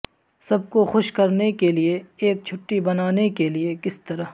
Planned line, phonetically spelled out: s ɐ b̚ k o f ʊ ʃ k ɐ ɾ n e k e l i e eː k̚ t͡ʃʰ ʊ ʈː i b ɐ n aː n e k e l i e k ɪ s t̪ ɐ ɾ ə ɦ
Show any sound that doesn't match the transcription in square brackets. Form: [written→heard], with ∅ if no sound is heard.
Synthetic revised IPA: s ɐ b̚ k o [f→x] ʊ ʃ k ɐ ɾ n e k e l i e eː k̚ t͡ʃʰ ʊ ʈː i b ɐ n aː n e k e l i e k ɪ s t̪ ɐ ɾ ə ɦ